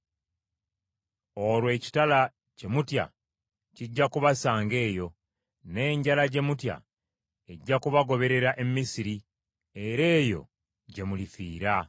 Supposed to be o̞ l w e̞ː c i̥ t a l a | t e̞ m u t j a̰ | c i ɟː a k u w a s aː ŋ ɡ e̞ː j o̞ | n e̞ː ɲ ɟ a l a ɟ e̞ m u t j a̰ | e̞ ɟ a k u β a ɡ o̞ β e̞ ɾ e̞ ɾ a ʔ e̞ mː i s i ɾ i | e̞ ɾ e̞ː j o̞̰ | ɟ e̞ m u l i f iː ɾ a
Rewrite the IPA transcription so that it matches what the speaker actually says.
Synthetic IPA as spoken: o̞ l w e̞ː c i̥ t a l a | c e̞ m u t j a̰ | c i ɟː a k u β a s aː ŋ ɡ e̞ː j o̞ | n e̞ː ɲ ɟ a l a ɟ e̞ m u t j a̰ | e̞ ɟː a k u β a ɡ o̞ β e̞ ɾ e̞ ɾ a ʔ e̞ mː i s i ɾ i | e̞ ɾ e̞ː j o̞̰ | ɟ e̞ m u l i f iː ɾ a